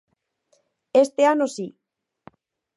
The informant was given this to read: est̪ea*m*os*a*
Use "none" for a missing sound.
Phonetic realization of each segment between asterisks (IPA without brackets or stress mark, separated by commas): n, i